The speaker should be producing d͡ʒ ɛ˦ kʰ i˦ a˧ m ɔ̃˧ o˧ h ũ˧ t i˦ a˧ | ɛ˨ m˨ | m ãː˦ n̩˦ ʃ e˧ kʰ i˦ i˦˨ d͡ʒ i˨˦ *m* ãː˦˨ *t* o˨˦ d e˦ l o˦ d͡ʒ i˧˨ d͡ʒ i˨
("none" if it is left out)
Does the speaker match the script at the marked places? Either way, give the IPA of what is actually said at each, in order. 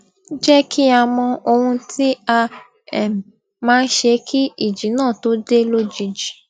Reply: n, t

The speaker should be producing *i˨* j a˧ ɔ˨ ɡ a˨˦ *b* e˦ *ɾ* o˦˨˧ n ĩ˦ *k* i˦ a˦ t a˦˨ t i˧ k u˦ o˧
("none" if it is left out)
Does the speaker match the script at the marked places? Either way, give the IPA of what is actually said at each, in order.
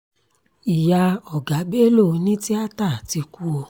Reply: i˨, b, l, t

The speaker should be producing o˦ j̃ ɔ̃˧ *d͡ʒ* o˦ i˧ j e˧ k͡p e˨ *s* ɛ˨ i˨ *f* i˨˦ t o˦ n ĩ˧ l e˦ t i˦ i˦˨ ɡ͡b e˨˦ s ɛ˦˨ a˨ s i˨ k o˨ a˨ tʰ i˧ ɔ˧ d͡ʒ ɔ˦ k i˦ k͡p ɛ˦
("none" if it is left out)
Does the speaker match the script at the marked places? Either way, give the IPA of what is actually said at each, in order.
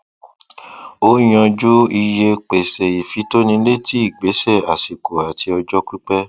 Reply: d͡ʒ, s, f

